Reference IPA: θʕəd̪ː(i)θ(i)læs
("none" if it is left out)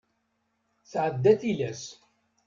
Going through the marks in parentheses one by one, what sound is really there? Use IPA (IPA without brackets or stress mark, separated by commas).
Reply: æ, i